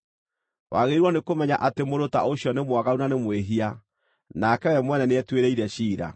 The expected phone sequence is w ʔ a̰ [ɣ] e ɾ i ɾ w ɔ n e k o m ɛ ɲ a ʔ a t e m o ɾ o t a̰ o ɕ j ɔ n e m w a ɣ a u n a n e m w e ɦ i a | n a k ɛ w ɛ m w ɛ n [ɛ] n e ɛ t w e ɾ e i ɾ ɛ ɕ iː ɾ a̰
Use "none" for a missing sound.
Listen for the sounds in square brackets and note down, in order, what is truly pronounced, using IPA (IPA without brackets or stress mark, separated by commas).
ɣ, ɛ